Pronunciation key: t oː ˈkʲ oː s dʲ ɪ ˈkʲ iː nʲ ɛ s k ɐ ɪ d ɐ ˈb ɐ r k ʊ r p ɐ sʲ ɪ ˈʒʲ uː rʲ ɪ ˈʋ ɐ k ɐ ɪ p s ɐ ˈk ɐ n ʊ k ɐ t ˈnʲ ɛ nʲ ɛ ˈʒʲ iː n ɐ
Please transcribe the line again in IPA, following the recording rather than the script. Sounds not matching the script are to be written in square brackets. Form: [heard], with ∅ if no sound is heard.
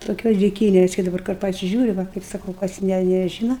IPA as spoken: t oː ˈkʲ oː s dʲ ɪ ˈkʲ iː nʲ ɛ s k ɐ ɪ d ɐ ˈb ɐ r k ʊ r p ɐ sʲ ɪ ˈʒʲ uː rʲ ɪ ˈʋ ɐ k ɐ ɪ p s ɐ ˈk ɐ [∅] ʊ k ɐ [s] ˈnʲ ɛ nʲ ɛ ˈʒʲ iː n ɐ